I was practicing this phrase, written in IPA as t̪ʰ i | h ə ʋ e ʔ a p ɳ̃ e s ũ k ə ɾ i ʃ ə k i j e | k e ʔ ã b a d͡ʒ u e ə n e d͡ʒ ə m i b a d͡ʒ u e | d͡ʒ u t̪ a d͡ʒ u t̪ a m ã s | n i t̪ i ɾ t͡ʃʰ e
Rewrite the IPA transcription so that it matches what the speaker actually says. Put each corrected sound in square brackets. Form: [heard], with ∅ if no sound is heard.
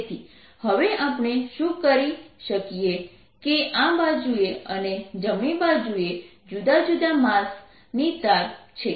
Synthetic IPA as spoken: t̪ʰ i | h ə ʋ e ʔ a p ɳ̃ e [ʃ] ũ k ə ɾ i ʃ ə k i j e | k e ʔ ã b a d͡ʒ u e ə n e d͡ʒ ə m i b a d͡ʒ u e | d͡ʒ u [d̪] a d͡ʒ u [d̪] a m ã s | n i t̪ [a] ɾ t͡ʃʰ e